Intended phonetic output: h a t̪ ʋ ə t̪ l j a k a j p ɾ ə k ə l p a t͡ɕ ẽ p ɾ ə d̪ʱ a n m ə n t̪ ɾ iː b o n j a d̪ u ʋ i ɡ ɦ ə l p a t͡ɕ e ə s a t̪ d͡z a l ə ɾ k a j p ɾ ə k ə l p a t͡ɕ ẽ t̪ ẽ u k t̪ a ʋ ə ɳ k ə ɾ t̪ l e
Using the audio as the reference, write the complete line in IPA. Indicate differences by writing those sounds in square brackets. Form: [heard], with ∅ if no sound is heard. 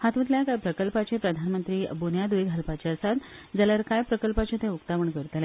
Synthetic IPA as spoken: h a t̪ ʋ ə t̪ l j a k a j p ɾ ə k ə l p a t͡ɕ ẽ p ɾ ə d̪ʱ a n m ə n t̪ ɾ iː b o n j a d̪ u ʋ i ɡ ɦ ə l p a t͡ɕ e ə s a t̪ d͡z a l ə ɾ k a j p ɾ ə k ə l p a t͡ɕ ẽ t̪ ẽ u k t̪ a ʋ ə ɳ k ə ɾ t̪ l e